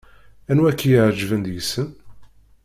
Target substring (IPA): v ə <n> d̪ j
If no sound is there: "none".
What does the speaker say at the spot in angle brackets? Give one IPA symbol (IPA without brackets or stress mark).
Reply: n